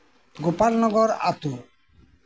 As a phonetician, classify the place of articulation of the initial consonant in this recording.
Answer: velar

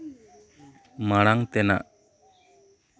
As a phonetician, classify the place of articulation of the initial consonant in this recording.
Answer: labial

